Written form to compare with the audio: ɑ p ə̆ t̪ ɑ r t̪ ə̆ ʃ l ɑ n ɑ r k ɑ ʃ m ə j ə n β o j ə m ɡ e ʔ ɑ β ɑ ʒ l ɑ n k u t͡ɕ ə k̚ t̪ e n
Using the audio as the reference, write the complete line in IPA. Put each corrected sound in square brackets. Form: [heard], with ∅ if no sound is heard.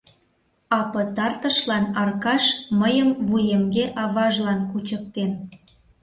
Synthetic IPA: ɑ p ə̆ t̪ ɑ r t̪ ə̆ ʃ l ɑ n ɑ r k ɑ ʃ m ə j ə [m] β [u] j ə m ɡ e ʔ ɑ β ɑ ʒ l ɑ n k u t͡ɕ ə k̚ t̪ e n